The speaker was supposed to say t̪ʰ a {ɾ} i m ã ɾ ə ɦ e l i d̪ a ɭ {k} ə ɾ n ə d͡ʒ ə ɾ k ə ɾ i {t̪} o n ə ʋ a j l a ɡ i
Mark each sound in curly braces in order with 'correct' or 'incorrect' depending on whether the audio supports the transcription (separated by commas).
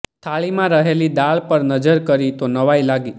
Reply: incorrect, incorrect, correct